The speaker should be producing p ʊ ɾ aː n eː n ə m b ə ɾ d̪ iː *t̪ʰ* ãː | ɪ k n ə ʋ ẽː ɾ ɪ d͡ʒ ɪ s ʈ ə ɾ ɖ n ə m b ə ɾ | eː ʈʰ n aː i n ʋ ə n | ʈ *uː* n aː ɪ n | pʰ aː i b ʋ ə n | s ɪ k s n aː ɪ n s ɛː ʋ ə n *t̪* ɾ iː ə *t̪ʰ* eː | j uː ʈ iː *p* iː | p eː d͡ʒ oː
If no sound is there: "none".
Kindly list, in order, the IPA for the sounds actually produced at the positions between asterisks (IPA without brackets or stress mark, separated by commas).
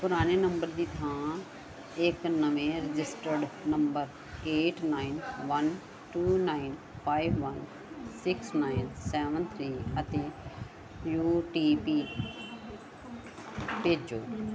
t̪ʰ, uː, t̪ʰ, t̪, p